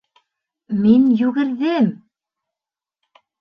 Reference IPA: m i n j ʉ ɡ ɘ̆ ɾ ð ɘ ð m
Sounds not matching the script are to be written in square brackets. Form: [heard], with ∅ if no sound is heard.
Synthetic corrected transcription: m i n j ʉ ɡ ɘ̆ ɾ ð ɘ [∅] m